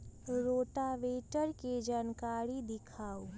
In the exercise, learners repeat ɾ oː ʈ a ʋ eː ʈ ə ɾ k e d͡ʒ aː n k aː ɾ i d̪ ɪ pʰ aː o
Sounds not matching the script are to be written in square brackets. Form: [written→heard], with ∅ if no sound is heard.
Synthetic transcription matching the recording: ɾ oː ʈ a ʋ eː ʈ ə ɾ k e d͡ʒ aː n k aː ɾ i d̪ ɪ [pʰ→kʰ] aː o